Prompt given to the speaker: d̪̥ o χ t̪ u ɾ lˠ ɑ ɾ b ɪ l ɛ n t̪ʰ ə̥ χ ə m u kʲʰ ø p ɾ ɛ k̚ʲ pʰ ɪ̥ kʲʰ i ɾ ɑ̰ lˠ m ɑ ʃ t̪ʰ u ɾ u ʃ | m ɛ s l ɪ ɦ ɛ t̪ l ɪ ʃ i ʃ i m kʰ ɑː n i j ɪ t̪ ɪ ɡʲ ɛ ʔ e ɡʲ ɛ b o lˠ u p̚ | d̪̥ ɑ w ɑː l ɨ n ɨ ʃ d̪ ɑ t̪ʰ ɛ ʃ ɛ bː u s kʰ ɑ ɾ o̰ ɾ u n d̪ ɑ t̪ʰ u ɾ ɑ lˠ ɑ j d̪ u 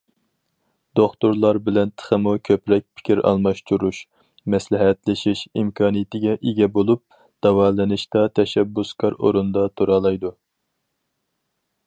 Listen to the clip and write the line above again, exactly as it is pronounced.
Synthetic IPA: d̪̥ o χ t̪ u ɾ lˠ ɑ ɾ b ɪ l ɛ n t̪ʰ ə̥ χ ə m u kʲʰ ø p ɾ ɛ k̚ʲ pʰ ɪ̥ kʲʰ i ɾ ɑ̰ lˠ m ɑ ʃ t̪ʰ u ɾ u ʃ | m ɛ s l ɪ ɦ ɛ t̪ l ɪ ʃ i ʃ i m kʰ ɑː n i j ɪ t̪ ɪ ɡʲ ɛ ʔ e ɡʲ ɛ b o lˠ u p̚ | d̪̥ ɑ w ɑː l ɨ n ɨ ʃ t̪ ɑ t̪ʰ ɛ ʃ ɛ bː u s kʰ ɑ ɾ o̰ ɾ u n d̪ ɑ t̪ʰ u ɾ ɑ lˠ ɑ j d̪ u